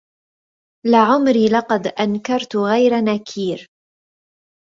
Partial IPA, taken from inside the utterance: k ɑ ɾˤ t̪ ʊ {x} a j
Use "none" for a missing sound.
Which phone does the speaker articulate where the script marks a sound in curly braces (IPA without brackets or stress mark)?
ɣ